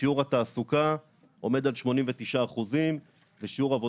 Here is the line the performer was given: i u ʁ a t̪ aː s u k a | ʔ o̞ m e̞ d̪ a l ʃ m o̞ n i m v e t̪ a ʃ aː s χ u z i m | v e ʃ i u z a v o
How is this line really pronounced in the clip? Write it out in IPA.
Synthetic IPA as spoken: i u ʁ a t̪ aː s u k a | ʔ o̞ m e̞ d̪ a l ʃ m o̞ n i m v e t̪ i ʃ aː χ u z i m | v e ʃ i u ʁ a v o